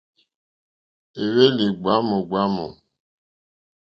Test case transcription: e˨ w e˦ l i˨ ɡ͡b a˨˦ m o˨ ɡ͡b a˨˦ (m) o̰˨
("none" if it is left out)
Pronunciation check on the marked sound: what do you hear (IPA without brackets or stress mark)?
m